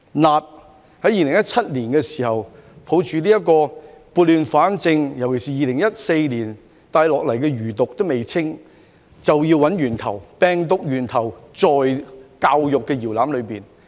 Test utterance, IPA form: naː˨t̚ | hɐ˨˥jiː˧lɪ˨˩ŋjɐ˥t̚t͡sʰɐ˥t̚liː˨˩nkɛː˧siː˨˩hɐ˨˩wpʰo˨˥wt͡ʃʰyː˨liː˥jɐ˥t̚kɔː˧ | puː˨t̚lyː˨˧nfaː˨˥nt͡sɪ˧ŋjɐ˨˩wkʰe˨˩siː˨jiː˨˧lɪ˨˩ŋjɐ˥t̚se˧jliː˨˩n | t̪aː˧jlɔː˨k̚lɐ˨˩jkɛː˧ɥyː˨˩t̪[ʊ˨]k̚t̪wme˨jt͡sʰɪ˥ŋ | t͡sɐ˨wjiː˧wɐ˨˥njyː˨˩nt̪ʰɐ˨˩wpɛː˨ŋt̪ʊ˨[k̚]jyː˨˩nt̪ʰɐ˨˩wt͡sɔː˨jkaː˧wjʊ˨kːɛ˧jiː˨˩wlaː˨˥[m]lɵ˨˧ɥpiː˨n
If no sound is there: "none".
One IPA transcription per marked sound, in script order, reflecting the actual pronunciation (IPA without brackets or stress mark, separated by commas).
ʊ˨, k̚, m